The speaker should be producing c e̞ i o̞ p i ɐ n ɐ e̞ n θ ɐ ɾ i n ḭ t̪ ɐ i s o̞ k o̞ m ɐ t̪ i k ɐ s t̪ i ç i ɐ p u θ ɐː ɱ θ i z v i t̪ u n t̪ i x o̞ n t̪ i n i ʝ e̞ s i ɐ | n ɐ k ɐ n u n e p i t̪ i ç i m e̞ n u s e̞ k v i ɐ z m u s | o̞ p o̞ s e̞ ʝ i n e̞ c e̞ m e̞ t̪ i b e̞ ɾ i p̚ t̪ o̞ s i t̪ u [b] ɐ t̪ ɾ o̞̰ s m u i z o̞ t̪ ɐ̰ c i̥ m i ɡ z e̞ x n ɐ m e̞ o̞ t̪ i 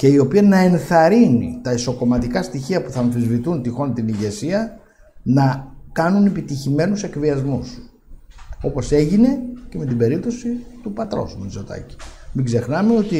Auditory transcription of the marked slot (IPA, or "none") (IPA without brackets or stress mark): p